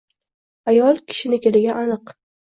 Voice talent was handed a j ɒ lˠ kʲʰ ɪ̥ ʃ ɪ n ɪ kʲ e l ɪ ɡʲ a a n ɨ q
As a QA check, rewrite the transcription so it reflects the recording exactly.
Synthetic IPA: a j ɒ lˠ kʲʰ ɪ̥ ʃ ɪ n ɪ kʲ e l ɪ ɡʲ a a n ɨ q